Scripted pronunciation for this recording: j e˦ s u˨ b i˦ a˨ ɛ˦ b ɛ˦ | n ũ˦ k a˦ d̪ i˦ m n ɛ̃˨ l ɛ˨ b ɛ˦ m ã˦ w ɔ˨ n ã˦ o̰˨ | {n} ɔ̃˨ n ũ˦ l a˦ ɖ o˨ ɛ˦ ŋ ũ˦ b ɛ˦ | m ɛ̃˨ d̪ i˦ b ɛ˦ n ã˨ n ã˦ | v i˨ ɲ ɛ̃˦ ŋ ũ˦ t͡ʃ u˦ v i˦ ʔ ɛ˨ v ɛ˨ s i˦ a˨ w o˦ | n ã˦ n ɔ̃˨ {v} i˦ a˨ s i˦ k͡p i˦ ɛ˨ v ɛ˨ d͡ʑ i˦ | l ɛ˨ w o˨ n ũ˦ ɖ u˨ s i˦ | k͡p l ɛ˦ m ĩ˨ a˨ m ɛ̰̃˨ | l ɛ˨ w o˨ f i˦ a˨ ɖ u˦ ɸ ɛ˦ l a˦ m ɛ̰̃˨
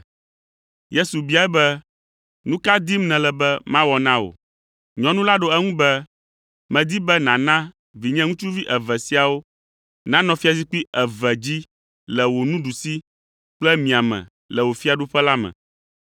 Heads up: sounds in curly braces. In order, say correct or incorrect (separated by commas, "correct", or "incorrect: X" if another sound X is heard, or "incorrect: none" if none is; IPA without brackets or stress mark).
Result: incorrect: ɲ, incorrect: f